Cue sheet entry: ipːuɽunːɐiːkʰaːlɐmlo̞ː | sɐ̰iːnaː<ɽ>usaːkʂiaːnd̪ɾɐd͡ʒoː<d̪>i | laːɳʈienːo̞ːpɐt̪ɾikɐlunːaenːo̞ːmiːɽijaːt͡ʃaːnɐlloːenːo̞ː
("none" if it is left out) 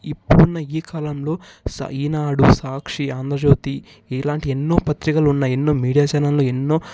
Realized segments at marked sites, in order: ɽ, t̪

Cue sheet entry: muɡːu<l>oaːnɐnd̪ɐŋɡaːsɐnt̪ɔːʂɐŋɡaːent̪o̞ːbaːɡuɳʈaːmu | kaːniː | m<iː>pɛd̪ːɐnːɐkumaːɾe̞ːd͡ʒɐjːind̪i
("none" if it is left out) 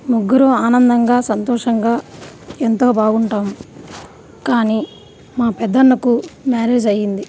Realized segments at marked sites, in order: ɾ, aː

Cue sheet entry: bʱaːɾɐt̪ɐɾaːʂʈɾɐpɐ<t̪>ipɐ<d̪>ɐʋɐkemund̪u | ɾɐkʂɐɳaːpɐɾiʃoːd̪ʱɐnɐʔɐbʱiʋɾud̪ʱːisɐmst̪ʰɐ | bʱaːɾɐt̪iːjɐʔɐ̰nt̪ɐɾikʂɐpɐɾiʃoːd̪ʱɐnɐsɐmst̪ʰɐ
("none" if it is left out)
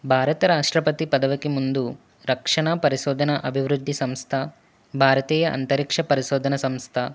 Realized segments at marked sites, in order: t̪, d̪

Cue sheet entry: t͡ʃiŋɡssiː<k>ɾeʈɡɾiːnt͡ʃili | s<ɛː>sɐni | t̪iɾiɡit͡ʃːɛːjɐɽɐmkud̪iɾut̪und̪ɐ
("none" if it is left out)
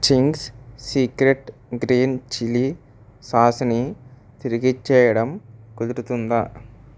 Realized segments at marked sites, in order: k, aː

